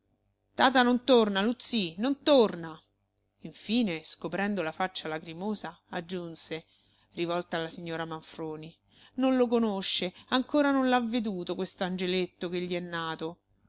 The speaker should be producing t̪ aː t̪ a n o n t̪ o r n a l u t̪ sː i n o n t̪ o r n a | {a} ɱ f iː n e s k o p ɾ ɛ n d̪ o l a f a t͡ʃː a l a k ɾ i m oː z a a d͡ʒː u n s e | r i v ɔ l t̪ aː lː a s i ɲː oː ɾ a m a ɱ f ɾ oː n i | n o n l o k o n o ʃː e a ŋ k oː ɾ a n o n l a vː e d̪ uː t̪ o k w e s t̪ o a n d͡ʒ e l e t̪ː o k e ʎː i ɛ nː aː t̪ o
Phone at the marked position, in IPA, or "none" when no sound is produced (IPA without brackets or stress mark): i